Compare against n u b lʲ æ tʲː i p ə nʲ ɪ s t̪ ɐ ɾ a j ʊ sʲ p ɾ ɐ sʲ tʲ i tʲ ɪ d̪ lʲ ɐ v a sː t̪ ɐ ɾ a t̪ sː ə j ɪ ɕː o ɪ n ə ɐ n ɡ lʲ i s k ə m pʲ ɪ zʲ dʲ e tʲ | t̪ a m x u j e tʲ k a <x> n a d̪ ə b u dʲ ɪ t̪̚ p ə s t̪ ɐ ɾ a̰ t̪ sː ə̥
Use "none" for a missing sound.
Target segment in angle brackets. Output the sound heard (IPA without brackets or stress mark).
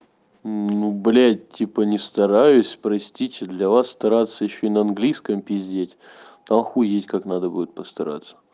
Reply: k